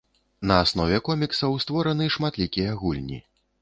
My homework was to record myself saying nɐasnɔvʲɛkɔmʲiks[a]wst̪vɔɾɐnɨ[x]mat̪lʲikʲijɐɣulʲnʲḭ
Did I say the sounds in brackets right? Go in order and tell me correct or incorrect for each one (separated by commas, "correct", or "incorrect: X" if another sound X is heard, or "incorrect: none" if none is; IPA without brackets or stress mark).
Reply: incorrect: ɐ, incorrect: ʂ